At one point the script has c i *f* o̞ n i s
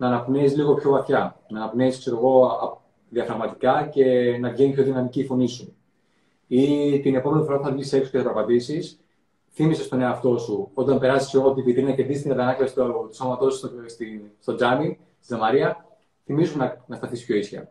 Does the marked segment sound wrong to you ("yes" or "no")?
no